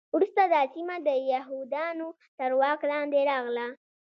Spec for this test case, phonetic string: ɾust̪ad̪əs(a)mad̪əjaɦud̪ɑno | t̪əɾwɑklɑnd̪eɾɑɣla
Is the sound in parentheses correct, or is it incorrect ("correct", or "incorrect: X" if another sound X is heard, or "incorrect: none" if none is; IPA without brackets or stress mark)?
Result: incorrect: i